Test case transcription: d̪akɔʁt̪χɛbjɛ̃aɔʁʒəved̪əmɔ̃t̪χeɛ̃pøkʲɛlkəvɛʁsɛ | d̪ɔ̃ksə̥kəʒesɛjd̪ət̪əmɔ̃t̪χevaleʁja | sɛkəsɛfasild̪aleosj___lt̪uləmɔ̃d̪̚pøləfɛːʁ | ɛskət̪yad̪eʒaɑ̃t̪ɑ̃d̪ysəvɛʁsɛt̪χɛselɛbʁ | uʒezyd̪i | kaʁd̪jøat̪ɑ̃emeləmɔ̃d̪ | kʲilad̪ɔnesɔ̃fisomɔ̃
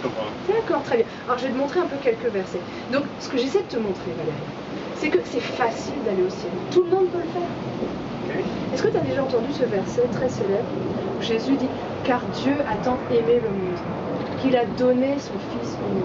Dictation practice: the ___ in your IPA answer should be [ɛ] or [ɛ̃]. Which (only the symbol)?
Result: ɛ